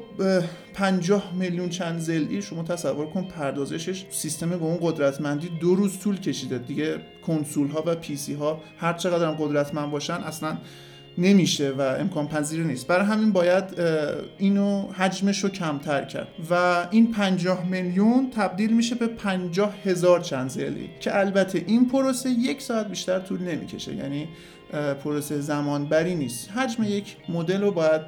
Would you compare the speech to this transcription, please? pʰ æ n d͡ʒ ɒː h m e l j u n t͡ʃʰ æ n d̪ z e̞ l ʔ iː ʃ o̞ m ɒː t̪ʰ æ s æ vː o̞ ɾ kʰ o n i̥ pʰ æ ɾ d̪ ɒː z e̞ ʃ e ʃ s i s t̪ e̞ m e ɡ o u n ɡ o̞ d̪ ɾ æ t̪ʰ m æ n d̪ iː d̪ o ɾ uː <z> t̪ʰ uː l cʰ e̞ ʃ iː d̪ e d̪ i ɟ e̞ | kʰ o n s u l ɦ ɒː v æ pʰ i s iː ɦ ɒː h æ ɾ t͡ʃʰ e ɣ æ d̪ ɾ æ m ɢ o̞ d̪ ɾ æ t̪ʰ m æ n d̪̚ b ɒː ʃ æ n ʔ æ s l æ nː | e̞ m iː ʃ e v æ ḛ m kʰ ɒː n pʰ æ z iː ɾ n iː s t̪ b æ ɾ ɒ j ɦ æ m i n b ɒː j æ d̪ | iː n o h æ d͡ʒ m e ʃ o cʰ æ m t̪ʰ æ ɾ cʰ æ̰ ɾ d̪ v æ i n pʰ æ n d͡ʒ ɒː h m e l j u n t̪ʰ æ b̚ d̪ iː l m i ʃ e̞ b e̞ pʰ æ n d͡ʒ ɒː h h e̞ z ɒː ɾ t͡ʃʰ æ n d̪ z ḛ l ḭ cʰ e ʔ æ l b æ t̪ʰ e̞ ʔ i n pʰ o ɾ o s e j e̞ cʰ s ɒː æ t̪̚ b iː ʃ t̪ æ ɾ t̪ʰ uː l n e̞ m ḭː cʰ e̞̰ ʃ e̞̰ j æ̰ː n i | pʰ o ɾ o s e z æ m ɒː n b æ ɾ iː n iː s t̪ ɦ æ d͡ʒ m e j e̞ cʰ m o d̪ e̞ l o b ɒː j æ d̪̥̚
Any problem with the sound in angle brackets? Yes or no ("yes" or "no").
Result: no